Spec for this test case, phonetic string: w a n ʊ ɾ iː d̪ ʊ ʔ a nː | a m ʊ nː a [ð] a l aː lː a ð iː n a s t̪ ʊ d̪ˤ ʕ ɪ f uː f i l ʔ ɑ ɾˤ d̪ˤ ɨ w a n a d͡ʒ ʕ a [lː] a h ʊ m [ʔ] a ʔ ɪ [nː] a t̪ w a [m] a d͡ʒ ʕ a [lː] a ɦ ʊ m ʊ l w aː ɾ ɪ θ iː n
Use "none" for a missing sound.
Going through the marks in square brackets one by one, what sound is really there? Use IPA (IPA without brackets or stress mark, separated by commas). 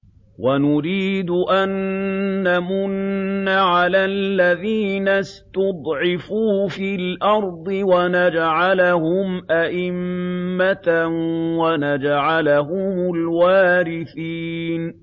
ʕ, l, ʔ, mː, n, l